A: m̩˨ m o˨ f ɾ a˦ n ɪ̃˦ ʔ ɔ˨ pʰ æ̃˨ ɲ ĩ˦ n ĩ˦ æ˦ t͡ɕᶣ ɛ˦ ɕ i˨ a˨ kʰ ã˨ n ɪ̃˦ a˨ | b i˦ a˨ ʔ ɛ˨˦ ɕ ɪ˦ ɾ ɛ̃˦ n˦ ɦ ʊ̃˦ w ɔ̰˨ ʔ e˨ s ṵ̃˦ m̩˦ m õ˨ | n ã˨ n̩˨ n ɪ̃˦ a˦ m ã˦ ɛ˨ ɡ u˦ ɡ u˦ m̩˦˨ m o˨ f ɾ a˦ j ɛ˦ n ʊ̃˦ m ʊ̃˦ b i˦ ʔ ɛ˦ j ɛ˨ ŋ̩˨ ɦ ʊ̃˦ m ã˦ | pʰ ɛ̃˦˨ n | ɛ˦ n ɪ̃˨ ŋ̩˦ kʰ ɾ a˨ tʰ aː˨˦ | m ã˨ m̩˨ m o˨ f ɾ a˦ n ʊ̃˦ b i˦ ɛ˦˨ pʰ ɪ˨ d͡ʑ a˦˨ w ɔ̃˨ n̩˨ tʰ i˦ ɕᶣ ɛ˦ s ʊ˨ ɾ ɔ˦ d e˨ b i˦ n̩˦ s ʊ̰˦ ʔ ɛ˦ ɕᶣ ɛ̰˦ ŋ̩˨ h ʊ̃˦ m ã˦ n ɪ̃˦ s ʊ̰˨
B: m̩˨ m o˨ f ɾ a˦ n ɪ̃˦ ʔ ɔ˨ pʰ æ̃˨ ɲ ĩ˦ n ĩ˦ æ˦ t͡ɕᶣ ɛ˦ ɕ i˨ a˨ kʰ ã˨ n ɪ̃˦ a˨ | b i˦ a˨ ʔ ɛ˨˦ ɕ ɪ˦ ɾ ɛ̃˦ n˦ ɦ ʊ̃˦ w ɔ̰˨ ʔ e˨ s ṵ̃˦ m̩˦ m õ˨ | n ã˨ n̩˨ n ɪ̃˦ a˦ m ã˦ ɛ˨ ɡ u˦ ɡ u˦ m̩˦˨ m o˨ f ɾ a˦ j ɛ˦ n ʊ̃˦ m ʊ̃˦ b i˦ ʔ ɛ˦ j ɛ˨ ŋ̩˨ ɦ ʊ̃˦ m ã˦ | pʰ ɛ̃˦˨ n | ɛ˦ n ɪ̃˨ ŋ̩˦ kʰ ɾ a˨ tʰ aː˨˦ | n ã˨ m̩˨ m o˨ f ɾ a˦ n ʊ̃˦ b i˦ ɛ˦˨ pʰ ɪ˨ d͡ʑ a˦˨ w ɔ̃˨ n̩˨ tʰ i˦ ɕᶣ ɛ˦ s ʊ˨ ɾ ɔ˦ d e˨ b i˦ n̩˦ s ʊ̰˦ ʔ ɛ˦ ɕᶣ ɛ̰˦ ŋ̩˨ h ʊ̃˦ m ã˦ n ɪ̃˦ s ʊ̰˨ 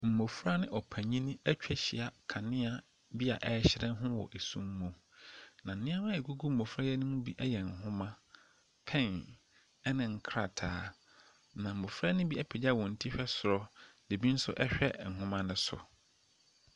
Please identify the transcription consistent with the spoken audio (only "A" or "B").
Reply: B